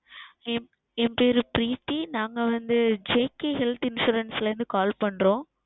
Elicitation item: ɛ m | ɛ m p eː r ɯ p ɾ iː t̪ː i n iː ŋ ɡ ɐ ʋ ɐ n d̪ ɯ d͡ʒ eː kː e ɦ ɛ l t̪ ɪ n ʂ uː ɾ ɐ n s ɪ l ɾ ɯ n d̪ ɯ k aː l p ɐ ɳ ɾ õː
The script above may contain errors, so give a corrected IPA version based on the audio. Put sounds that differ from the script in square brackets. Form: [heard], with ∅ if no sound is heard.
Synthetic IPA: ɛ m | ɛ m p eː [ɾ] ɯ p ɾ iː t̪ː i n [aː] ŋ ɡ ɐ ʋ ɐ n d̪ ɯ d͡ʒ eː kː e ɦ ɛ l t̪ ɪ n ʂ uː ɾ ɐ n s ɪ l ɾ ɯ n d̪ ɯ k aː l p ɐ ɳ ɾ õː